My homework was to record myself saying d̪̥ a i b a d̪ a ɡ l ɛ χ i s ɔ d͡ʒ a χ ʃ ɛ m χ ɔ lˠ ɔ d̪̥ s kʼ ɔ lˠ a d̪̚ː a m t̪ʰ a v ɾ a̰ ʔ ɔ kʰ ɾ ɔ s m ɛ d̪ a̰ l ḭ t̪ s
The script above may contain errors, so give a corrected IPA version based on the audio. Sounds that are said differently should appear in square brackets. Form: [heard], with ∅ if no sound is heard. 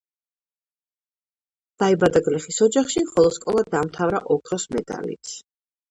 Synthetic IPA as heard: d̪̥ a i b a d̪ a ɡ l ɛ χ i s ɔ d͡ʒ a χ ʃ [i] m χ ɔ lˠ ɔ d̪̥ s kʼ ɔ lˠ a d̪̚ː a m t̪ʰ a v ɾ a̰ ʔ ɔ kʰ ɾ ɔ s m ɛ d̪ a̰ l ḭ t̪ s